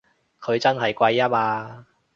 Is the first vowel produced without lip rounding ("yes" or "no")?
no